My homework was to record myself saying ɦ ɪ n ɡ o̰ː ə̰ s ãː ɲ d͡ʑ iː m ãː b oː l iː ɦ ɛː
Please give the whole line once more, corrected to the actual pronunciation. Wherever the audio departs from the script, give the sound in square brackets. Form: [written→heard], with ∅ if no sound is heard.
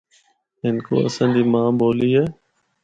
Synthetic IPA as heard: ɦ ɪ n [ɡ→k] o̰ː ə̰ s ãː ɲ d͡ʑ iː m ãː b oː l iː ɦ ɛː